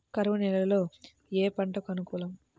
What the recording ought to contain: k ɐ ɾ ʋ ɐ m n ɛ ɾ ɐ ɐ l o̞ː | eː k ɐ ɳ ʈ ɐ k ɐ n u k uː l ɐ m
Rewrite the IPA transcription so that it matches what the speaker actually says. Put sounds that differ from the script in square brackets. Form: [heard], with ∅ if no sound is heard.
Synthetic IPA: k ɐ ɾ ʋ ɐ [∅] n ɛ [l] ɐ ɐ l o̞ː | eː [p] ɐ ɳ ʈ ɐ k ɐ n u k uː l ɐ m